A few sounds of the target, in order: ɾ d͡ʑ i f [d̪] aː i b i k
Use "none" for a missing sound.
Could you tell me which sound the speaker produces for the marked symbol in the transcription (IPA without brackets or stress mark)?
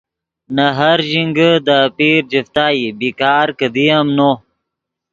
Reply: t̪